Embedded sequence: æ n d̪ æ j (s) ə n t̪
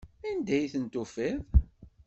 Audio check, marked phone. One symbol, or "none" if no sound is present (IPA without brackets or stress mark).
θ